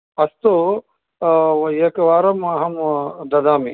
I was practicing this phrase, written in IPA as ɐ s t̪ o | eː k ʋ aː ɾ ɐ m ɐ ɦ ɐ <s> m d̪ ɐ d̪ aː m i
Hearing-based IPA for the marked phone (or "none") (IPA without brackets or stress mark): none